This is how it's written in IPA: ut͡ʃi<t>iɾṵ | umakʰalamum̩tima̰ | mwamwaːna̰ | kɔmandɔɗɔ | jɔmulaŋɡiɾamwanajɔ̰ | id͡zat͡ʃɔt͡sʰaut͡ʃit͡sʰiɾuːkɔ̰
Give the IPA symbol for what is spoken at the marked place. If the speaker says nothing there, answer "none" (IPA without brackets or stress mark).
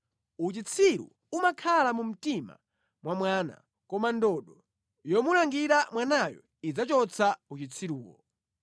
t͡sʰ